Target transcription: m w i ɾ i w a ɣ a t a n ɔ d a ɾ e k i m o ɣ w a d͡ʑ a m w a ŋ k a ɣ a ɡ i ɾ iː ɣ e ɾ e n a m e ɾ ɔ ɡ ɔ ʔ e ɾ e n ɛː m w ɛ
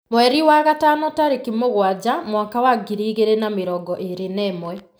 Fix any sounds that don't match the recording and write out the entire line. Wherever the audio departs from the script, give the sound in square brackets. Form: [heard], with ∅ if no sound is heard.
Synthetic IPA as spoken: m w [ɛ] ɾ i w a ɣ a t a n ɔ [t] a ɾ e k i m o ɣ w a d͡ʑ a m w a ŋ k a [w] a ɡ i ɾ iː ɣ e ɾ e n a m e ɾ ɔ ɡ ɔ ʔ e ɾ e n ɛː m w ɛ